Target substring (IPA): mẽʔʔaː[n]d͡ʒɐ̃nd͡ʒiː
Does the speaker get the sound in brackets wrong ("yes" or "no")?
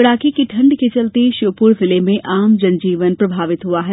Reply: yes